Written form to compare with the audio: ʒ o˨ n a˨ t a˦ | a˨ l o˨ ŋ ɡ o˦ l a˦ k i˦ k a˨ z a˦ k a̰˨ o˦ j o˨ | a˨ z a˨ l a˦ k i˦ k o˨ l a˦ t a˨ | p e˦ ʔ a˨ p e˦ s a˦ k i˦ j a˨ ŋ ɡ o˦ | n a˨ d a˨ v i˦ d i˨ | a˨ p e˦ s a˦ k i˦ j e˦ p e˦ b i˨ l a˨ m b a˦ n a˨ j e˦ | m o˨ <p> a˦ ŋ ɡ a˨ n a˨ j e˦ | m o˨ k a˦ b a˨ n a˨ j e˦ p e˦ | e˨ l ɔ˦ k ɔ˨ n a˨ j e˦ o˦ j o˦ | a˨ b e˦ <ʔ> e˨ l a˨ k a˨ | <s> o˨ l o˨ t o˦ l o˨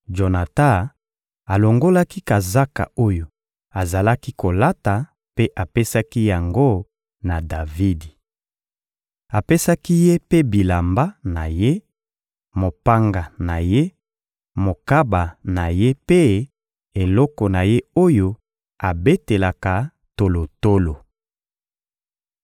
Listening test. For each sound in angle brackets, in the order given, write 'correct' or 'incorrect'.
correct, incorrect: t, incorrect: t

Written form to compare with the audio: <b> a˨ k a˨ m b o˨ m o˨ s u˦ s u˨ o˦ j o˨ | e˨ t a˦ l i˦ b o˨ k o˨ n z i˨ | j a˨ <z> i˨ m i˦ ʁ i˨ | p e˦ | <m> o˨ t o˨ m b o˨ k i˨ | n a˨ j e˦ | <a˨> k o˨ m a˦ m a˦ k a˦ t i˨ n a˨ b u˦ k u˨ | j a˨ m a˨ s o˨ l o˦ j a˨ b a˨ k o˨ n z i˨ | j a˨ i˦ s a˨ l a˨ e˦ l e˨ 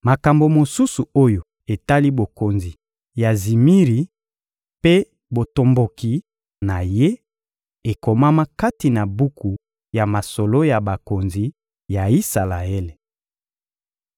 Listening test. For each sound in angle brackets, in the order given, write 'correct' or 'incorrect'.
incorrect: m, correct, incorrect: b, incorrect: e˨

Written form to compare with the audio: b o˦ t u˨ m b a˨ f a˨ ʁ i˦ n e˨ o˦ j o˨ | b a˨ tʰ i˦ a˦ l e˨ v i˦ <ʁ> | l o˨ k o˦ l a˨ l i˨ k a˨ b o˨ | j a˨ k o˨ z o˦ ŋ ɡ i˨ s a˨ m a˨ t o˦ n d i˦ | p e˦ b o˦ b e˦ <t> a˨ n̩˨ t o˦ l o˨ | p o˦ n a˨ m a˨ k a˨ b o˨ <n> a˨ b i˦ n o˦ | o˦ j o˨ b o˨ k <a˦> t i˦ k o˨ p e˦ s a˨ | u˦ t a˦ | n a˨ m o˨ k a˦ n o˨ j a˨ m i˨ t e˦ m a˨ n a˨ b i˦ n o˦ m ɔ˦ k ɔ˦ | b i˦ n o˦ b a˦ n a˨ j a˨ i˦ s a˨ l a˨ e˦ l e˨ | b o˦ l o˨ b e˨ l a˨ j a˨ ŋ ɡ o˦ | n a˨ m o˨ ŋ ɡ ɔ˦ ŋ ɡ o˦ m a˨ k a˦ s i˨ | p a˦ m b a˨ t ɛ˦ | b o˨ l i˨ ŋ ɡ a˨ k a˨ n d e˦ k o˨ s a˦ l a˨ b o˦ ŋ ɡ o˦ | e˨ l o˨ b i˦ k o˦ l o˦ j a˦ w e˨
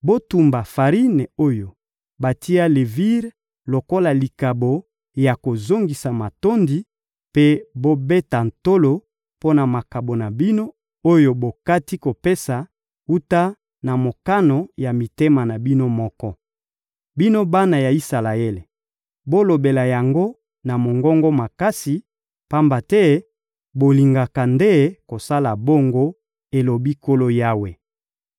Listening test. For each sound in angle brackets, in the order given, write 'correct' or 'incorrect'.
correct, correct, correct, correct

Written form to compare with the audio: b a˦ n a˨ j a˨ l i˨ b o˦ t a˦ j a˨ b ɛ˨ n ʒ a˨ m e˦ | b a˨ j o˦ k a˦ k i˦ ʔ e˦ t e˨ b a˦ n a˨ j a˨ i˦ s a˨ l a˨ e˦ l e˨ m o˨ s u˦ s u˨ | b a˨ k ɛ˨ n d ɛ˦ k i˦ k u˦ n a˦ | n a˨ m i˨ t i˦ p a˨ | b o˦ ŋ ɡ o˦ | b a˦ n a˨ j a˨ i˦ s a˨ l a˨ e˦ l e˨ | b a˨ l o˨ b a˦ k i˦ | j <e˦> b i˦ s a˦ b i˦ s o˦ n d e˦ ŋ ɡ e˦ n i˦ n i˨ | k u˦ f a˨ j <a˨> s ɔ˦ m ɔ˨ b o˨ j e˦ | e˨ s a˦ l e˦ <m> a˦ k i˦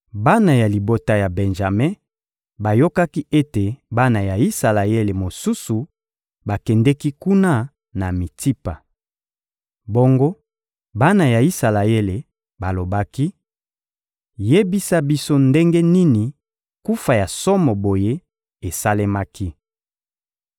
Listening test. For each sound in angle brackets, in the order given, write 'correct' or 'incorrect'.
correct, correct, correct

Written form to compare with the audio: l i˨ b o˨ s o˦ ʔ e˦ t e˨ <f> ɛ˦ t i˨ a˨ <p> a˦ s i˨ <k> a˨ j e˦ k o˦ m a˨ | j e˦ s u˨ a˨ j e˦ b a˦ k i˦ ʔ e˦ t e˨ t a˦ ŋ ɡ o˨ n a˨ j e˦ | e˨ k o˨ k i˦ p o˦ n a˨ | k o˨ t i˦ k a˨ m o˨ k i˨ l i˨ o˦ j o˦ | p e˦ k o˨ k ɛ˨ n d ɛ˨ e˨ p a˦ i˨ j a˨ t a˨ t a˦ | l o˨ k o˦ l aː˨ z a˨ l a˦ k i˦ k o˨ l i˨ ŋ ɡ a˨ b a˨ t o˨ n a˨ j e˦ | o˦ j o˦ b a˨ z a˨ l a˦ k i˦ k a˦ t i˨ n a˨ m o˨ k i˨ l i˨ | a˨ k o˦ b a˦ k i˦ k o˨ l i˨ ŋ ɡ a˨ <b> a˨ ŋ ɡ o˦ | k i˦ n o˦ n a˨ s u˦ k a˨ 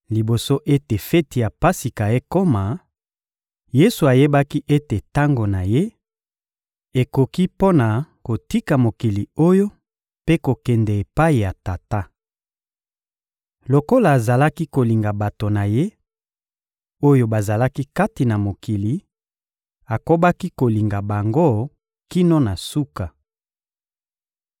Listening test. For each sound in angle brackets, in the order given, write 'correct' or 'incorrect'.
correct, correct, correct, correct

